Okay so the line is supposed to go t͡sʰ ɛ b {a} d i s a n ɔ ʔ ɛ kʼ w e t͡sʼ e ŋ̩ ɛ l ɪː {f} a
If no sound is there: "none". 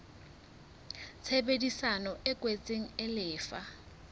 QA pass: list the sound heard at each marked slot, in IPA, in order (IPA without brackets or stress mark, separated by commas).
e, f